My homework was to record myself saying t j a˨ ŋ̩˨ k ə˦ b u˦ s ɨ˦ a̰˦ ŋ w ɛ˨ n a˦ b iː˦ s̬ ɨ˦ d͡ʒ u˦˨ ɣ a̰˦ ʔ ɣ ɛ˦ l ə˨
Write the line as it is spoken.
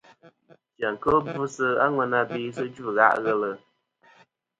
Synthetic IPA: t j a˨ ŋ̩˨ k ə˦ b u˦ s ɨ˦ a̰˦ ŋ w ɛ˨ n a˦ b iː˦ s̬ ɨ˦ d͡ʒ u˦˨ ɣ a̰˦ ʔ ɣ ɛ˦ l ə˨